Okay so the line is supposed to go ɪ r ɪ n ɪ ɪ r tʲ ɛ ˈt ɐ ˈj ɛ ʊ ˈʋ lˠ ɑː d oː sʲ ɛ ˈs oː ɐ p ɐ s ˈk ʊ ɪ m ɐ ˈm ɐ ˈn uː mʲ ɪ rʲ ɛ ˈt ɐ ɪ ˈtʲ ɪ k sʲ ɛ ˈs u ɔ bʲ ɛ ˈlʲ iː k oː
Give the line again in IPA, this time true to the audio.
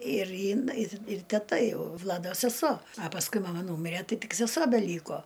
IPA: ɪ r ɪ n ɪ ɪ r tʲ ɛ ˈt ɐ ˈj ɛ ʊ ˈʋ lˠ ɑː d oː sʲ ɛ ˈs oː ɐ p ɐ s ˈk ʊ ɪ m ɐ ˈm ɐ ˈn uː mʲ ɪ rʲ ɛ ˈt ɐ ɪ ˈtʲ ɪ k sʲ ɛ ˈs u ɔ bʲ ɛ ˈlʲ iː k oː